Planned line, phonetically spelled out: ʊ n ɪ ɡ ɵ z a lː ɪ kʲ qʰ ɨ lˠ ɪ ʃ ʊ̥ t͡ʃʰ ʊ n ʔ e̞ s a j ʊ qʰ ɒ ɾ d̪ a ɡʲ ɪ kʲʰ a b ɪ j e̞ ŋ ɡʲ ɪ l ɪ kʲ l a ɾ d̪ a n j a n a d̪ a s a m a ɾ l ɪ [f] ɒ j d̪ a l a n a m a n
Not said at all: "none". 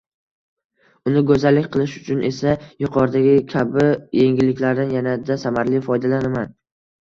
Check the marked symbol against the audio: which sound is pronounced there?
f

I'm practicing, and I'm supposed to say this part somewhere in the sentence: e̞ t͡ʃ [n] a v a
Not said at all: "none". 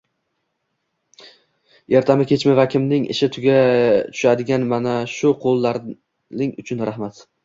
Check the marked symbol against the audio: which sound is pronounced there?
m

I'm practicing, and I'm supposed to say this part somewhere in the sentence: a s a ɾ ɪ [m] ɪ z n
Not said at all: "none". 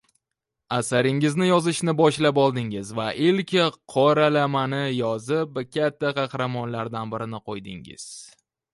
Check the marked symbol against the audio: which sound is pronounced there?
ŋ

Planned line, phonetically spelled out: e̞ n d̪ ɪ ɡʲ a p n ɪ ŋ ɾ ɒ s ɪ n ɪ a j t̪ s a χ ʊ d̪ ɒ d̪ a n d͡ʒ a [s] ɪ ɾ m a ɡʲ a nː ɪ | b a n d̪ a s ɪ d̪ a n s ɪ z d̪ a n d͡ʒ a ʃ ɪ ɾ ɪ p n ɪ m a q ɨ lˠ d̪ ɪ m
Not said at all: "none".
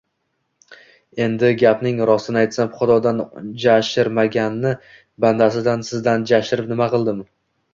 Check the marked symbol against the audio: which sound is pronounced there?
ʃ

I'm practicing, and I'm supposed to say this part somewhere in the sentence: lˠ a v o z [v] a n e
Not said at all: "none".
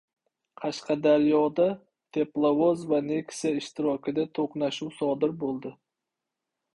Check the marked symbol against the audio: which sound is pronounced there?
v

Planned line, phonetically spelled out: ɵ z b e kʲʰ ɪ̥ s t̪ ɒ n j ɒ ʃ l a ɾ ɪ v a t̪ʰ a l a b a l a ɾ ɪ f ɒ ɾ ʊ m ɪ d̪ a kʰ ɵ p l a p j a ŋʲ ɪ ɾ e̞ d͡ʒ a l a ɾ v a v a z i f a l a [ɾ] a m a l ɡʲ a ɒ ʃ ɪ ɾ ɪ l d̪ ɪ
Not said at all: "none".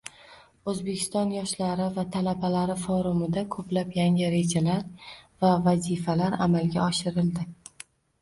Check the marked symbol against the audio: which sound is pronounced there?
ɾ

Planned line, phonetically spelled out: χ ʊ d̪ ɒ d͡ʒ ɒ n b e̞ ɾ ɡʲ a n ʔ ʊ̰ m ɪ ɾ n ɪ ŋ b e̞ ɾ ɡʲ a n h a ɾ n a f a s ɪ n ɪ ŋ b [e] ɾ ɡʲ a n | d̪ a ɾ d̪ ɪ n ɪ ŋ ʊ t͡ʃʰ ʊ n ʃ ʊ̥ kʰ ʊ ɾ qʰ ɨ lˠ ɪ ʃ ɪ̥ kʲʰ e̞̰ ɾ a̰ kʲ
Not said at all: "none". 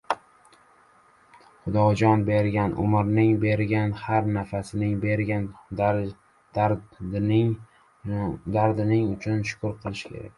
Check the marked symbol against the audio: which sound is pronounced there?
e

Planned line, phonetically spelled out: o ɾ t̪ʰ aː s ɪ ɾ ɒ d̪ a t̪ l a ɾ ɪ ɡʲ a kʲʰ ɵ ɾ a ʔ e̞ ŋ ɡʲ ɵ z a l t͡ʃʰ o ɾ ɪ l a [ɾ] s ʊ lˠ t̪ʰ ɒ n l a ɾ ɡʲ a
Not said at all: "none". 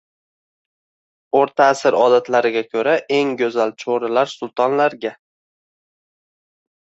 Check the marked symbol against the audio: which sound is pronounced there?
ɾ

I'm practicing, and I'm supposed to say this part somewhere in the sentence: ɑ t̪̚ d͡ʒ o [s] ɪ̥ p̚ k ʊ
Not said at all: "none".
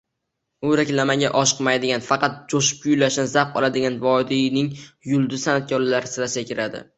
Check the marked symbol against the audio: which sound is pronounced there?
ʃ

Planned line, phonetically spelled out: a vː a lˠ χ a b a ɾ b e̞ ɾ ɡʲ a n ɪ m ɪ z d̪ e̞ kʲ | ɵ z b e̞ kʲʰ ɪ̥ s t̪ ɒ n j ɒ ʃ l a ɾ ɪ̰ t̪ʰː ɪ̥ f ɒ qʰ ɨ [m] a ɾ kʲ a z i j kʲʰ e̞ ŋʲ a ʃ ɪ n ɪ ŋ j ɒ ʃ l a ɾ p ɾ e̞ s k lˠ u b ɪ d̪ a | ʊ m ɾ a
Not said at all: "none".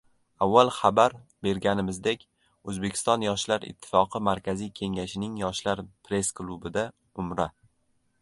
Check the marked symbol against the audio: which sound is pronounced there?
m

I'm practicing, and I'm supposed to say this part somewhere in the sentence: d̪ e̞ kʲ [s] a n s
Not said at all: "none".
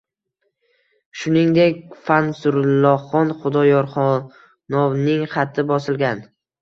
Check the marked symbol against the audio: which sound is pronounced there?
f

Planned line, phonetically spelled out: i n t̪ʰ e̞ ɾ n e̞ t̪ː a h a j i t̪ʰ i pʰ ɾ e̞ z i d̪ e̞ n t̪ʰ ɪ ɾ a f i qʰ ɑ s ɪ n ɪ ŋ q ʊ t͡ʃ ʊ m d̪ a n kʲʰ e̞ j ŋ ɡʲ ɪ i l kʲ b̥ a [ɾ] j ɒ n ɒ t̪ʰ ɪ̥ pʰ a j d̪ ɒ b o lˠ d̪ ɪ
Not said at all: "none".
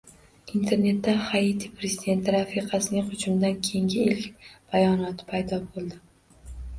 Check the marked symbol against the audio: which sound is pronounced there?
none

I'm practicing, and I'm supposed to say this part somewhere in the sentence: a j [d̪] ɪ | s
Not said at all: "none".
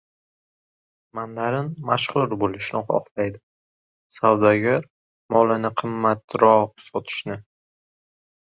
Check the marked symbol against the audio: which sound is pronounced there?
d̪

